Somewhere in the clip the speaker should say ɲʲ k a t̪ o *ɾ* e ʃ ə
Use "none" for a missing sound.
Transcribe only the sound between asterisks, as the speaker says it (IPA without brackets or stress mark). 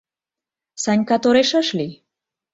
ɾ